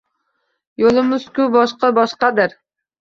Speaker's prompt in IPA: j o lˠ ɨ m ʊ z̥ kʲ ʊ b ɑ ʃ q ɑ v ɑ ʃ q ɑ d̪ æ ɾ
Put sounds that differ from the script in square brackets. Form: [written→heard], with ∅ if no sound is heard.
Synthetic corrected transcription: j o lˠ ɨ m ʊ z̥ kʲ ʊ b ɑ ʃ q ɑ [v→b] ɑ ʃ q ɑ d̪ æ ɾ